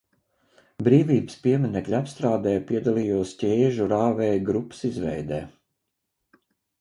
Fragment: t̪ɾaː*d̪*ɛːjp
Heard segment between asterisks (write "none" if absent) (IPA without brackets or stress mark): d̪